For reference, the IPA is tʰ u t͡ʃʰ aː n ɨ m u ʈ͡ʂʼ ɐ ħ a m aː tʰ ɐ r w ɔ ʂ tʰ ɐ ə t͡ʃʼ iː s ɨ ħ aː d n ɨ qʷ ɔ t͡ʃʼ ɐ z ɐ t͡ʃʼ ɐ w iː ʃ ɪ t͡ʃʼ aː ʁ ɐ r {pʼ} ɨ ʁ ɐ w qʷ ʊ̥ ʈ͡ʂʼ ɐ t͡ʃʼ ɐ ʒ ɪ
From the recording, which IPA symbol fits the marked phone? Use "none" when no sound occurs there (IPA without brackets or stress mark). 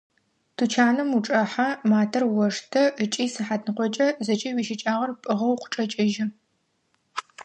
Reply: pʼ